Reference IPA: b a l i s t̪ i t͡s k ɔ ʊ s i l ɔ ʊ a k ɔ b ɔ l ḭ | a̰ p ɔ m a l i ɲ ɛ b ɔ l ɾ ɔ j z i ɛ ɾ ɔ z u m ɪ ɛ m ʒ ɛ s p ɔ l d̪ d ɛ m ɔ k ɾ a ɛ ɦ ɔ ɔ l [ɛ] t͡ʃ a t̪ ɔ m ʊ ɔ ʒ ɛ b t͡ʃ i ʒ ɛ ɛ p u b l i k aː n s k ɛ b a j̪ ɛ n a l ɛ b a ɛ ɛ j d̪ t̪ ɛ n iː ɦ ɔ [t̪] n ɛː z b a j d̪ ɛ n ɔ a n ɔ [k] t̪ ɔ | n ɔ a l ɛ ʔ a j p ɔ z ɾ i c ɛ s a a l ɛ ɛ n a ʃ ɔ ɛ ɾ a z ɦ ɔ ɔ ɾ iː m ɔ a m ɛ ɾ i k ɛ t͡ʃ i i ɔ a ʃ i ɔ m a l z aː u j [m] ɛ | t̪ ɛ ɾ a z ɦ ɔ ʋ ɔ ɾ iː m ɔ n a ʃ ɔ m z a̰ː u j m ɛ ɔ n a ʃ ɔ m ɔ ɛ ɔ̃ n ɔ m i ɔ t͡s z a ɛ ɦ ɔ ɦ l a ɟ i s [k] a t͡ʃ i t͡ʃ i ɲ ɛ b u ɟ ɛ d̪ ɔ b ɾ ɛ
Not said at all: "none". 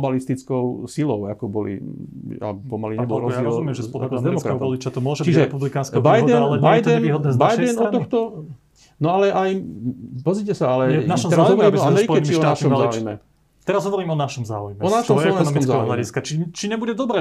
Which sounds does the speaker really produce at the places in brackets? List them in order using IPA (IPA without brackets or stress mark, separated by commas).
i, d̪, x, m, k